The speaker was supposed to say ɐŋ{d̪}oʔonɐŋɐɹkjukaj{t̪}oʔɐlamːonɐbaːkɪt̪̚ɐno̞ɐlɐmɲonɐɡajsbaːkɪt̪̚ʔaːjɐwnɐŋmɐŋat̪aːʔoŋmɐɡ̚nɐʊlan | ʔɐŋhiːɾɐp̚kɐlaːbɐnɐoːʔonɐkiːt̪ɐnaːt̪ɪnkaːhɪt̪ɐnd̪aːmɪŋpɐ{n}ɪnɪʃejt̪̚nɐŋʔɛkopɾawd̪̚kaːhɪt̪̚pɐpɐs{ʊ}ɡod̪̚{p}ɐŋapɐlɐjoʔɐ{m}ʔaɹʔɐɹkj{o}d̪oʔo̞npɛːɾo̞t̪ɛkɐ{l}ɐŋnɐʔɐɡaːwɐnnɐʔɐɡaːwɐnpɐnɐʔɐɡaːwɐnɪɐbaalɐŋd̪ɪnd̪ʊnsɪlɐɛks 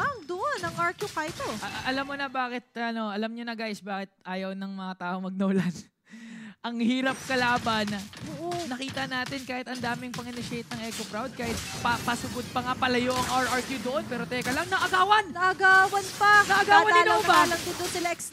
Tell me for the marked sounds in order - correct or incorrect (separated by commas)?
correct, correct, incorrect, correct, correct, incorrect, incorrect, correct